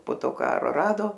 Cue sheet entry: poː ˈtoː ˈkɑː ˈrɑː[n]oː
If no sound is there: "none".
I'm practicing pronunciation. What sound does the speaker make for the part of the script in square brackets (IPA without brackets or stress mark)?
d